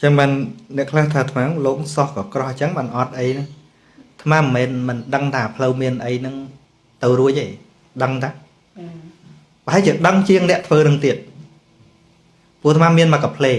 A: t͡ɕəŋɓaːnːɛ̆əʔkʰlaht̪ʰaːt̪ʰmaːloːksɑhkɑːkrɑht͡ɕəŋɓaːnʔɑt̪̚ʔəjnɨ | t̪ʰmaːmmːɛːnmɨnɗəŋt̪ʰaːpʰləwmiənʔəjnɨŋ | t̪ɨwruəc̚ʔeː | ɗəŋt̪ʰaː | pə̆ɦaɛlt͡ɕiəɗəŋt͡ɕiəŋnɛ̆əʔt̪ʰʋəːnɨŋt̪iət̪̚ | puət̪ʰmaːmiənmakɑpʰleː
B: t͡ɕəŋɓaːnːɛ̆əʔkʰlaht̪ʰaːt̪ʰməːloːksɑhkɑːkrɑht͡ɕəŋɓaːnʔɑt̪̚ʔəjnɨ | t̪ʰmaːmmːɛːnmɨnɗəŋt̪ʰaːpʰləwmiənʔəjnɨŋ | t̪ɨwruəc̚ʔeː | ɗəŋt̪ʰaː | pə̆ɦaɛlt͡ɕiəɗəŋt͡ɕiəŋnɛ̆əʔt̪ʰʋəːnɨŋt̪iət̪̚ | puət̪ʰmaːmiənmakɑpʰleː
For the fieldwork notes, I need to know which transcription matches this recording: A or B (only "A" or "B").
A